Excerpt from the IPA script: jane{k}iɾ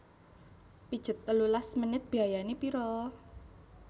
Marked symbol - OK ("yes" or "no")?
no